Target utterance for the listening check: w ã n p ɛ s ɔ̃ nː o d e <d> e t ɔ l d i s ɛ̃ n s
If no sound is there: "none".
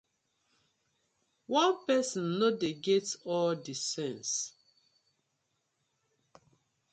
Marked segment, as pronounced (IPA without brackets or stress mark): ɡ